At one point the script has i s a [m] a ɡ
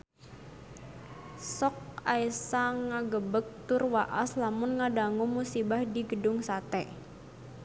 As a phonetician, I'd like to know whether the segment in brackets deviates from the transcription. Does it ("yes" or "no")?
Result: yes